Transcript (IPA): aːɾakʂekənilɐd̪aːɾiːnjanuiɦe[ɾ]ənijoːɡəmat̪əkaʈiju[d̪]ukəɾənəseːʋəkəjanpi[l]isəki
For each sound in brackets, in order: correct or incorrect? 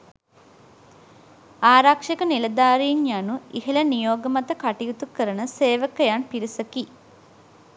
incorrect, incorrect, incorrect

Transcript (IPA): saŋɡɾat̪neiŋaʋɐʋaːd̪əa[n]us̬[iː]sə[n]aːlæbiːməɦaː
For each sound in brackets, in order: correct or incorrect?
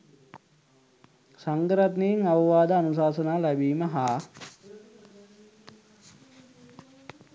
correct, incorrect, correct

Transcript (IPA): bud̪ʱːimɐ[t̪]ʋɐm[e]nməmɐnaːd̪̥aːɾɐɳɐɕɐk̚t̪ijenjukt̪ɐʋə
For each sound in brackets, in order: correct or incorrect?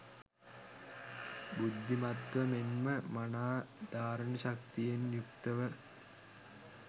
correct, correct

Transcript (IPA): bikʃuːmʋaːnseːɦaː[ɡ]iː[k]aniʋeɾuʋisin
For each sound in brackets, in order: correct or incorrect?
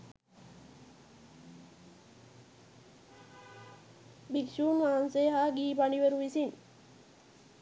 correct, incorrect

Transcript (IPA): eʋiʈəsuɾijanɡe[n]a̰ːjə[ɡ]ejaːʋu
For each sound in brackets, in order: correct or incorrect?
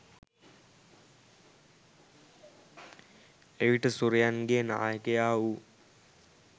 correct, incorrect

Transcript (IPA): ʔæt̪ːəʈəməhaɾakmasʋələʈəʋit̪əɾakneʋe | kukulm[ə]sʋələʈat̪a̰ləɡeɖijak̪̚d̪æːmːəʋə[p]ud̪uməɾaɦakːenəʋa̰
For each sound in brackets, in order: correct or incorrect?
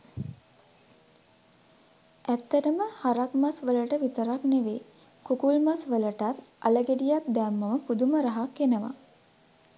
incorrect, correct

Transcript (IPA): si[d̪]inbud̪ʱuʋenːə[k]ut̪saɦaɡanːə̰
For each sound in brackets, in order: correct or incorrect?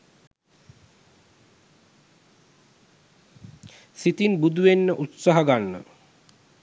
incorrect, incorrect

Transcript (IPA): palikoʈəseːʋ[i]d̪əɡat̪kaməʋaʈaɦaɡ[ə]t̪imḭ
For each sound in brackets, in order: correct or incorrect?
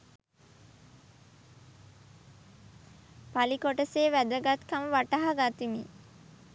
incorrect, incorrect

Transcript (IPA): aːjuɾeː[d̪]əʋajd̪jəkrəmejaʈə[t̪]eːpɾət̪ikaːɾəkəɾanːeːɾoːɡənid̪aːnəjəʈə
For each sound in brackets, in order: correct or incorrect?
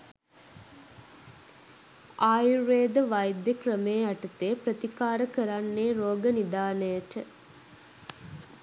correct, correct

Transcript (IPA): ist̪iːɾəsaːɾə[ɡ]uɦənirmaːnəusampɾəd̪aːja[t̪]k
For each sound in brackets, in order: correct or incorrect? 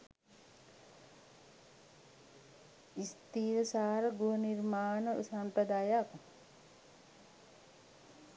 correct, incorrect

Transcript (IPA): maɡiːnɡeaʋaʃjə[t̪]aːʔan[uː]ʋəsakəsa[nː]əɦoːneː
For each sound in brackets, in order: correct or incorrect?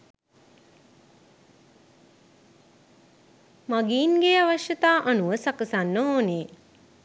correct, incorrect, correct

